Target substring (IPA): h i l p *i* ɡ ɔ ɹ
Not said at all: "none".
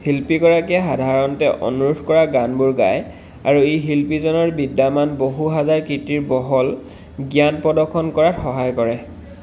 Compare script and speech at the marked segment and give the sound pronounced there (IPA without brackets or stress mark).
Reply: i